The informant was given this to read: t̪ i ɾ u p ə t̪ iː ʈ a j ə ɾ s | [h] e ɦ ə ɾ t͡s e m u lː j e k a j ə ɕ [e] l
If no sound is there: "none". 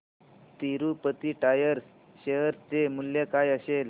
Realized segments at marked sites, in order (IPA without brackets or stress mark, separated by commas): ɕ, e